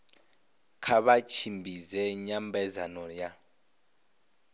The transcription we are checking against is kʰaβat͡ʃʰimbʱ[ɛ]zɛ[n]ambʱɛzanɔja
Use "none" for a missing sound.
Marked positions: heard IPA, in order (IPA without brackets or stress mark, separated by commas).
i, ɲ